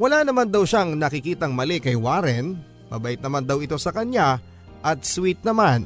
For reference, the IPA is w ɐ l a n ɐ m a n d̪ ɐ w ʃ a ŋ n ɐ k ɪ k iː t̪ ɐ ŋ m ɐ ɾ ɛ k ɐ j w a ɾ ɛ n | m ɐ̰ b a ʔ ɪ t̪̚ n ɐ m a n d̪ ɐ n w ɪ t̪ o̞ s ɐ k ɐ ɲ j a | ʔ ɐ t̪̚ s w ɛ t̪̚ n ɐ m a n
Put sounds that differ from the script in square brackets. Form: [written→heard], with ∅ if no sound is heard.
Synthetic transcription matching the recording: w ɐ l a n ɐ m a n d̪ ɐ w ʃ a ŋ n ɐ k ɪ k iː t̪ ɐ ŋ m ɐ [ɾ→l] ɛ k ɐ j w a ɾ ɛ n | m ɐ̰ b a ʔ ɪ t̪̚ n ɐ m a n d̪ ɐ [n→∅] w ɪ t̪ o̞ s ɐ k ɐ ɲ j a | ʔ ɐ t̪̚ s w [ɛ→i] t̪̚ n ɐ m a n